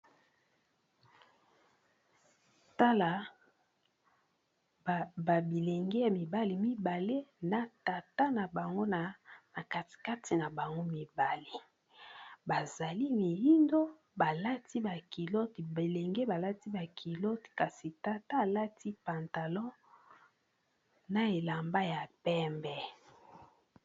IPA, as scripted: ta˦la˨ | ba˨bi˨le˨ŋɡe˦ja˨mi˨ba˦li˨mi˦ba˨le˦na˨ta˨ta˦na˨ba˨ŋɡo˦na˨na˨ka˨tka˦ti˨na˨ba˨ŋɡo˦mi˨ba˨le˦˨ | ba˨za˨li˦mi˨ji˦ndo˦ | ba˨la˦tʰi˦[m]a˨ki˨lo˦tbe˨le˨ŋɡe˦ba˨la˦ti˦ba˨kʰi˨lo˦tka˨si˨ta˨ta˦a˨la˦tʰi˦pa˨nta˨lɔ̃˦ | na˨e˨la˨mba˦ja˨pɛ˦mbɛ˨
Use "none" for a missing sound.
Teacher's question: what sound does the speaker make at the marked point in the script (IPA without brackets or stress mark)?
b